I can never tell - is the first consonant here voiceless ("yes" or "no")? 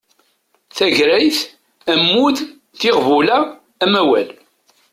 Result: yes